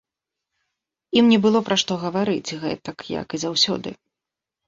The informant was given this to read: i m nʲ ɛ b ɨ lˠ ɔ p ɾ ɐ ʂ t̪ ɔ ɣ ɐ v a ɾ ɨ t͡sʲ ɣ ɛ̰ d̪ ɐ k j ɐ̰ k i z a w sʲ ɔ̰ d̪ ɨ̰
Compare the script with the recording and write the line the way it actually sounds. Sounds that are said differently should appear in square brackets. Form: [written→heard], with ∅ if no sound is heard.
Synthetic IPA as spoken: i m nʲ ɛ b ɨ lˠ ɔ p ɾ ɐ ʂ t̪ ɔ ɣ ɐ v a ɾ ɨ t͡sʲ ɣ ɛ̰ [d̪→t̪] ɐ k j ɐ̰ k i z a w sʲ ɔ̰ d̪ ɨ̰